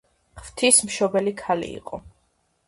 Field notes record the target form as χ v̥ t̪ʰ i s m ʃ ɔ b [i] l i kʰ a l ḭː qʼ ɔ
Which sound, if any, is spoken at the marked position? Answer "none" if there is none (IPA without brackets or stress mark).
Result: ɛ